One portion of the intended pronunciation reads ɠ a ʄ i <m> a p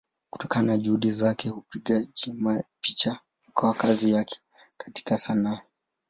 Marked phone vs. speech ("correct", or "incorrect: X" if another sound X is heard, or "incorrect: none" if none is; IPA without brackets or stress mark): correct